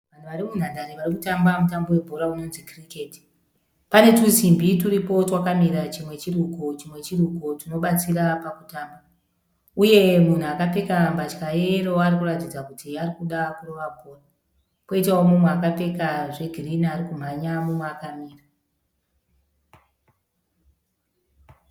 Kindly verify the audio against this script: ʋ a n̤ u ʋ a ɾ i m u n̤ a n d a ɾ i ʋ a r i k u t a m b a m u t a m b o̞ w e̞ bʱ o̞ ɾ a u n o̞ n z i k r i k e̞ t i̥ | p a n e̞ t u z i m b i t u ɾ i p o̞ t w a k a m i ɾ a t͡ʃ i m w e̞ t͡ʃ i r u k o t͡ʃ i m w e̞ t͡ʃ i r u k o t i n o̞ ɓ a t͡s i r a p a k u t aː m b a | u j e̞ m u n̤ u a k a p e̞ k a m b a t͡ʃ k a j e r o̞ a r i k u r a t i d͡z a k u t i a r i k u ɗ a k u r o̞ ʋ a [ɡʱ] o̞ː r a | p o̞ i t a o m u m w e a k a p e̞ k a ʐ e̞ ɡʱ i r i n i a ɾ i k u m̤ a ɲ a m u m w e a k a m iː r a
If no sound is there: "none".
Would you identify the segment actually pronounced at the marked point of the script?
bʱ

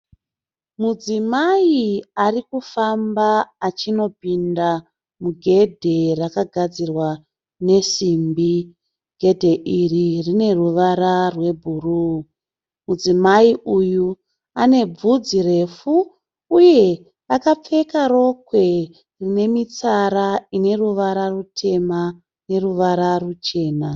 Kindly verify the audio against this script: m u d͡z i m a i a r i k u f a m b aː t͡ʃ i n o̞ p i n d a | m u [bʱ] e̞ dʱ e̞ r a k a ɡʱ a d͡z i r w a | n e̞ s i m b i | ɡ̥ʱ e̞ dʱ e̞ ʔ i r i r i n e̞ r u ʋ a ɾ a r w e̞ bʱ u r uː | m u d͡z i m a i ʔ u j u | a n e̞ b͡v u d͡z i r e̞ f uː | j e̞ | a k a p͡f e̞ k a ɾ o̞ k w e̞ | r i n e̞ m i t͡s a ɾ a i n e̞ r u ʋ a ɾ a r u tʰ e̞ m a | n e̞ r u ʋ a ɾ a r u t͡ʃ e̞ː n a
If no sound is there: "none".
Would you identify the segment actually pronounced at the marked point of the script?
ɡʱ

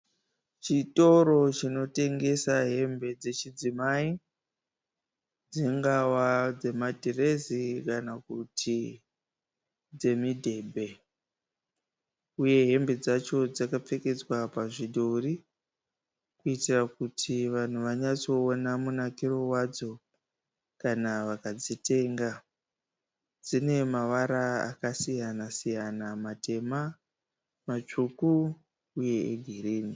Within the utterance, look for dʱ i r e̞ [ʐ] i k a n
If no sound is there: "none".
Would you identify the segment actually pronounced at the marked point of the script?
z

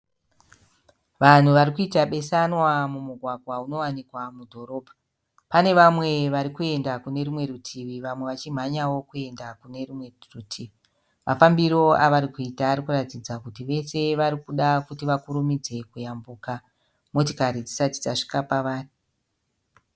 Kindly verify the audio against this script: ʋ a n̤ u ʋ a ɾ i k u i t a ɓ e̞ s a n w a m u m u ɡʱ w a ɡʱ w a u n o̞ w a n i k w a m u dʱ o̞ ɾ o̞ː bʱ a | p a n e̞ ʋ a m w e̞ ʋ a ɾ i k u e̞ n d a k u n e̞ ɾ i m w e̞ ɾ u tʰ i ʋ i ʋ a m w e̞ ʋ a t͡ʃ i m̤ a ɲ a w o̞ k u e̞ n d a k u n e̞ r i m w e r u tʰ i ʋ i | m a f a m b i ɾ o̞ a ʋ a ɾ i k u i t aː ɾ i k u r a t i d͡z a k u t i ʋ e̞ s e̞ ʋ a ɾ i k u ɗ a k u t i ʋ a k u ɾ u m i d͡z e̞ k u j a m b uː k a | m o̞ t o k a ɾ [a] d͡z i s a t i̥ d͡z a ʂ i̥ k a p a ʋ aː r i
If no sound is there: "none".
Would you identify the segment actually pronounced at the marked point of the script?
i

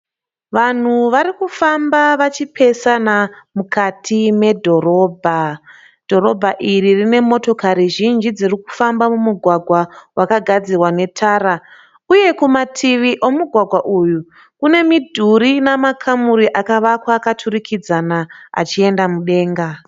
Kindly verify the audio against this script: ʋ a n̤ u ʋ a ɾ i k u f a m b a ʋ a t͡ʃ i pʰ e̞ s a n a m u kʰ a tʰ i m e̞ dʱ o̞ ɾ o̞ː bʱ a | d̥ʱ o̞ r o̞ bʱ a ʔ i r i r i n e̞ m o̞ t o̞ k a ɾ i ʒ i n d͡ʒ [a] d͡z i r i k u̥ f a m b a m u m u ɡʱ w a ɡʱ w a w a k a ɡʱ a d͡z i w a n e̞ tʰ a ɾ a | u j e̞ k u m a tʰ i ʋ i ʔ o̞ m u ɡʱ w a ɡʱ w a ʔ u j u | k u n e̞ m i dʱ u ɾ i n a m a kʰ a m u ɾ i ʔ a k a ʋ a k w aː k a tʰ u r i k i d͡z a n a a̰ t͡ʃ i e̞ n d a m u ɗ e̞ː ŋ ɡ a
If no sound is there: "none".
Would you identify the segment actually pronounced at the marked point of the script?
i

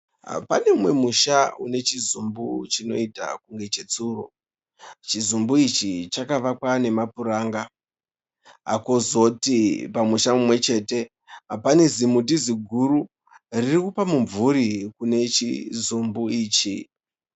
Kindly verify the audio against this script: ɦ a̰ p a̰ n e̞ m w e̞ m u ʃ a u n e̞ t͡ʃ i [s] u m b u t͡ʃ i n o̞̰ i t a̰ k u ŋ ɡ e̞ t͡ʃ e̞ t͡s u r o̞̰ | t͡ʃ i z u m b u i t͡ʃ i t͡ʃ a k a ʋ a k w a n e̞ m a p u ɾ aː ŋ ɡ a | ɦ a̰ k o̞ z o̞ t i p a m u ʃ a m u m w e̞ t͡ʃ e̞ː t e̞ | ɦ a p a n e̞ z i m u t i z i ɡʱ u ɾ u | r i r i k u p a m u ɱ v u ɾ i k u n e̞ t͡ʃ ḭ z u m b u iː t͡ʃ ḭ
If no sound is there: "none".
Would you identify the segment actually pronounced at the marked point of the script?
z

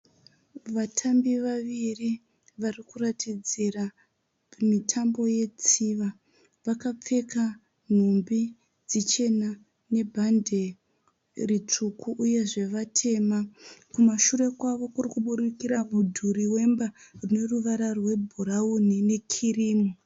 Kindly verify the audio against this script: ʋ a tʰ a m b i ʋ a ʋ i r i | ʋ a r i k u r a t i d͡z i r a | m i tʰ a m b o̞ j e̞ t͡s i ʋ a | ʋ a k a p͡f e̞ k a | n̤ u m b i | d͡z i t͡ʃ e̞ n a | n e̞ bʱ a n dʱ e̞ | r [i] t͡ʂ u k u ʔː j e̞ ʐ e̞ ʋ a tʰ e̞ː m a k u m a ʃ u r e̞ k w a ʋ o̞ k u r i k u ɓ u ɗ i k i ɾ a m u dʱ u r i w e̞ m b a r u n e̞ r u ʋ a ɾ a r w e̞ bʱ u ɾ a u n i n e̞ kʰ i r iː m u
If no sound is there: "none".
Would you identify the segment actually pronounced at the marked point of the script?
i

